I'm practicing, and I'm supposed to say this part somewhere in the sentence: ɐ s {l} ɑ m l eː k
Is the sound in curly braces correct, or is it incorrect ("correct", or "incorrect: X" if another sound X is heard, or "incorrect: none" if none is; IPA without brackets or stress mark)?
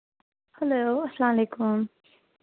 correct